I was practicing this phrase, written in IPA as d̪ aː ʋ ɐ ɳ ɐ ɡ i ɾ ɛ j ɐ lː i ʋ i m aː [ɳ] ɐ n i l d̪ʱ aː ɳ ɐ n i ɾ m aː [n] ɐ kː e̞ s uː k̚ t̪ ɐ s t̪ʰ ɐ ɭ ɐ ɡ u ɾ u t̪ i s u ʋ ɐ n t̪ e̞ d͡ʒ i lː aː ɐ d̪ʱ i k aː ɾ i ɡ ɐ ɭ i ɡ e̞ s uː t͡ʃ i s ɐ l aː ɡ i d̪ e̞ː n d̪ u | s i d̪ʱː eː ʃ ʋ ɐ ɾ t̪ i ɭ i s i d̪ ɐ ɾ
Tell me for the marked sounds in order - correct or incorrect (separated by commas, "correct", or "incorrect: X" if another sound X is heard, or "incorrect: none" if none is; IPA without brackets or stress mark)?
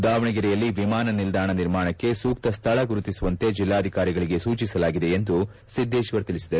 incorrect: n, incorrect: ɳ